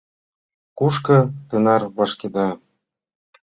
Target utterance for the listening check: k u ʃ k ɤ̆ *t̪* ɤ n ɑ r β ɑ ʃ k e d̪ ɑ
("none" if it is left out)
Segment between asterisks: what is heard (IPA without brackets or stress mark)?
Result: t̪